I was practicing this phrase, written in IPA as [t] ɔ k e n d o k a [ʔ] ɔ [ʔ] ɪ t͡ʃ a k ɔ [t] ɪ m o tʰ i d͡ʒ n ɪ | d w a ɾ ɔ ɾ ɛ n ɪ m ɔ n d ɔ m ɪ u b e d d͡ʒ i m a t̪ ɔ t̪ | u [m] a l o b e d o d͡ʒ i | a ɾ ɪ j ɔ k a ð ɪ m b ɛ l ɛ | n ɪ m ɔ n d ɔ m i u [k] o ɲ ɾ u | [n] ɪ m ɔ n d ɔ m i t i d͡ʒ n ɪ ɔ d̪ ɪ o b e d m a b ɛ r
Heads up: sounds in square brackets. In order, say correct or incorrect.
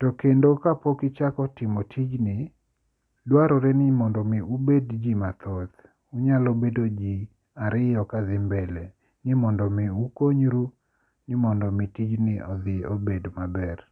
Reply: correct, incorrect, incorrect, correct, incorrect, correct, correct

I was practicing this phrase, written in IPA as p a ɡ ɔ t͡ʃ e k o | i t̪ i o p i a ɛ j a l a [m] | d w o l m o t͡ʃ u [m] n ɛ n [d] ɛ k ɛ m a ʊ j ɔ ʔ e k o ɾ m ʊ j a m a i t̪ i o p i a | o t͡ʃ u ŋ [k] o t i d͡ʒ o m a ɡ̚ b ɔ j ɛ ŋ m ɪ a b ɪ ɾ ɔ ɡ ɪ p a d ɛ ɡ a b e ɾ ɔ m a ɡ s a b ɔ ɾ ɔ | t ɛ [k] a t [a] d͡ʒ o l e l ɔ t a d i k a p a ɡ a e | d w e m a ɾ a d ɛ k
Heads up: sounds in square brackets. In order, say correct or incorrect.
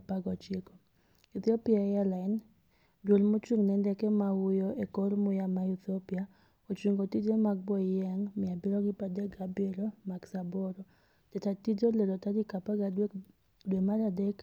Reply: incorrect, incorrect, correct, incorrect, incorrect, incorrect

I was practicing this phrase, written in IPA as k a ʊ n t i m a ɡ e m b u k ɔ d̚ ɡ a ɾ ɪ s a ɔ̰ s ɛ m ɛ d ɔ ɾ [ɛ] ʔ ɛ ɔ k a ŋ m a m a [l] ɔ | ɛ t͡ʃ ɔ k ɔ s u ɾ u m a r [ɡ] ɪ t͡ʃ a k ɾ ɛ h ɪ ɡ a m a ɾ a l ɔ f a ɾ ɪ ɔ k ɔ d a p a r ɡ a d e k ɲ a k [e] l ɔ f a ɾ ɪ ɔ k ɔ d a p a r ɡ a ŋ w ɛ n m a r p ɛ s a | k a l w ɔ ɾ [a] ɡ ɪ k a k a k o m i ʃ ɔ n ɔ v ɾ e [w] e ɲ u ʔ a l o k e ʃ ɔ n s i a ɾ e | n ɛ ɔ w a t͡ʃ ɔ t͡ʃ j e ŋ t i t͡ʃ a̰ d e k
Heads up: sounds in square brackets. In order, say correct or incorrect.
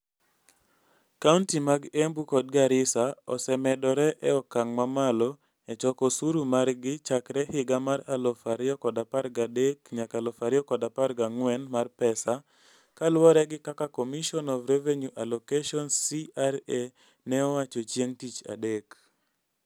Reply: correct, correct, correct, incorrect, incorrect, incorrect

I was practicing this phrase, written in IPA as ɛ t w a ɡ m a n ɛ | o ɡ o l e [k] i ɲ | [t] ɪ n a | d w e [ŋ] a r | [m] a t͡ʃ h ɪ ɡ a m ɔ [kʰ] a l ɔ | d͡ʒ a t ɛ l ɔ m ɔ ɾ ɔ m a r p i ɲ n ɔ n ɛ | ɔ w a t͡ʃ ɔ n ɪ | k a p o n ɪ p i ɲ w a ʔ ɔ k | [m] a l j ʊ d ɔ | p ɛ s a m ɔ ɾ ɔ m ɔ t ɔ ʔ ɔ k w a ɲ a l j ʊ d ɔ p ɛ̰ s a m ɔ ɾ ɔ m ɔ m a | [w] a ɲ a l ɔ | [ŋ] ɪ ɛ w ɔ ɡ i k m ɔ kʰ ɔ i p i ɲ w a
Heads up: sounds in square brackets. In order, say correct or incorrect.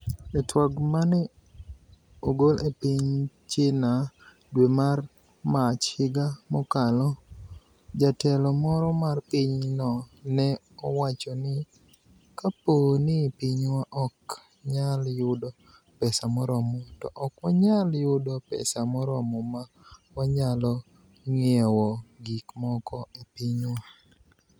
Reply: incorrect, incorrect, incorrect, correct, incorrect, incorrect, correct, correct

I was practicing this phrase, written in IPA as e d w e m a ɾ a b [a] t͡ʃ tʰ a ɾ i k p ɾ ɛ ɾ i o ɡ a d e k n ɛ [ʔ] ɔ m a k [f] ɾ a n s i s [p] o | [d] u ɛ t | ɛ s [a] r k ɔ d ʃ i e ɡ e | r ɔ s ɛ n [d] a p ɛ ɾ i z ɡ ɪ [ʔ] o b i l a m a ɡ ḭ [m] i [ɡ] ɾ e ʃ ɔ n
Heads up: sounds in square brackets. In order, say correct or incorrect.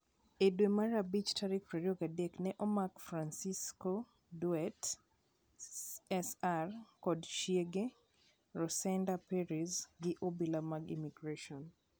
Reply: incorrect, correct, correct, incorrect, correct, correct, correct, correct, correct, correct

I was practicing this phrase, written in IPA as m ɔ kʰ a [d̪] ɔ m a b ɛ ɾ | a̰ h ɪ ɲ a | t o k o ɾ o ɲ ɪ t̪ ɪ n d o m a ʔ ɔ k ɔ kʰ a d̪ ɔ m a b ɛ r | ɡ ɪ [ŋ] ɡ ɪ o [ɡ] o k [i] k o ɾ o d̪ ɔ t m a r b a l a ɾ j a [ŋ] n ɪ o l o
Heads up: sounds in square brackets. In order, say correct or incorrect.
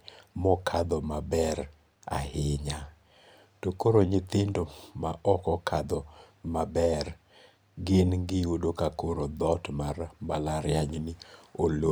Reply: correct, incorrect, incorrect, incorrect, incorrect

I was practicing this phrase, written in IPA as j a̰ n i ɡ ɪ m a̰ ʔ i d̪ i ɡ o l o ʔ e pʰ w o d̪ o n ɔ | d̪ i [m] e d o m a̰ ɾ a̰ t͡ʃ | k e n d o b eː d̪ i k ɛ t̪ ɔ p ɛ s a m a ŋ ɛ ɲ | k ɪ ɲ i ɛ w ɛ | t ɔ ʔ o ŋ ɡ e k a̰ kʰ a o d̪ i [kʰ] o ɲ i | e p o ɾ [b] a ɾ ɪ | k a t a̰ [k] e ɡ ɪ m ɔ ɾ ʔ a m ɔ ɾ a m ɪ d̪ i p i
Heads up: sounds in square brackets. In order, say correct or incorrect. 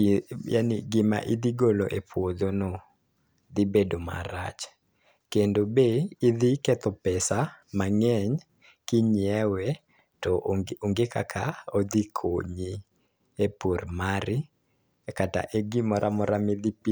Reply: incorrect, correct, incorrect, incorrect

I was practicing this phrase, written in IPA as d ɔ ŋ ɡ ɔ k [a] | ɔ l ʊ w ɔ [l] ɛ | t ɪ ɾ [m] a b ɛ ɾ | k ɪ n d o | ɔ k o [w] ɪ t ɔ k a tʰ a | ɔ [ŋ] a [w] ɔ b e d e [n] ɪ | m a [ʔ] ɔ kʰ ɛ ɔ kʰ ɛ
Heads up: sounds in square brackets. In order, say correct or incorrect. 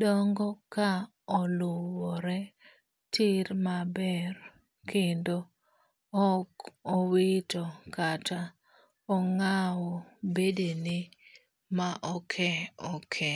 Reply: correct, incorrect, correct, correct, correct, correct, correct, correct

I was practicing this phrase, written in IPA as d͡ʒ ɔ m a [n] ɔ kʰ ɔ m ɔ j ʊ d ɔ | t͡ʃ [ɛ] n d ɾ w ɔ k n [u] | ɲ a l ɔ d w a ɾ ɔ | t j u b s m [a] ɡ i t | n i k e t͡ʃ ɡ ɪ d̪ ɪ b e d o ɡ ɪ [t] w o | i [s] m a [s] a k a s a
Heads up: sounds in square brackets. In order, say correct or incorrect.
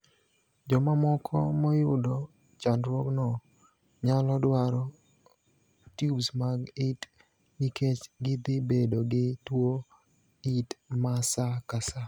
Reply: incorrect, incorrect, incorrect, correct, correct, incorrect, correct

